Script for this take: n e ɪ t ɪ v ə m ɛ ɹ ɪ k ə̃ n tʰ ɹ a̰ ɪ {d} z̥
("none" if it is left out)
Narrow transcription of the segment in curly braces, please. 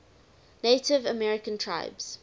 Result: b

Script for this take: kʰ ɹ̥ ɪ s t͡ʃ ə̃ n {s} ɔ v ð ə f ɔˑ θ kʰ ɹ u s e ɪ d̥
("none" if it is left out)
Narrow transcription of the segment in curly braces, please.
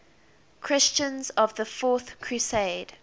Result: z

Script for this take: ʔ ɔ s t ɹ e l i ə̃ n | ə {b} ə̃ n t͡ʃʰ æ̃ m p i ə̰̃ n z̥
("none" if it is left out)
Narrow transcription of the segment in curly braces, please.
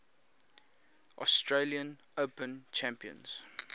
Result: p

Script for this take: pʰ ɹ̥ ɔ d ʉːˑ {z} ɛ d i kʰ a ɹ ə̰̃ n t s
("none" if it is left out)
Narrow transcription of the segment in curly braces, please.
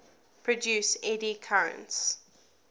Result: s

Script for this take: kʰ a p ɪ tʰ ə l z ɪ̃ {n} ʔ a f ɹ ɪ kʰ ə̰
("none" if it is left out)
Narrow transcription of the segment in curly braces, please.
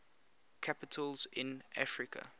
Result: n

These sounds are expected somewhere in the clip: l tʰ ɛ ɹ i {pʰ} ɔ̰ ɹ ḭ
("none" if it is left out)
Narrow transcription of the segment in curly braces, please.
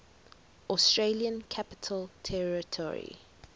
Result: tʰ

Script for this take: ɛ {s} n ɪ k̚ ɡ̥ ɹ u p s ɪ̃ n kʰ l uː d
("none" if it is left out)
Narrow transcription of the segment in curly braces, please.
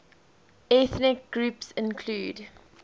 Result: θ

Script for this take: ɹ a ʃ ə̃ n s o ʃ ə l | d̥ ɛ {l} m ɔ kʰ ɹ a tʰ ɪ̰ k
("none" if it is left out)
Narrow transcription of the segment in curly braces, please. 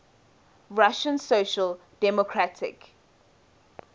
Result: none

